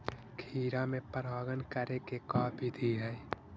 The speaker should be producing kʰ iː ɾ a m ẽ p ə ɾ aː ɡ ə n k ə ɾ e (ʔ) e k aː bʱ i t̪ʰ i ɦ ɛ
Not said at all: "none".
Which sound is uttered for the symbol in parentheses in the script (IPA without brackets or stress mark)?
k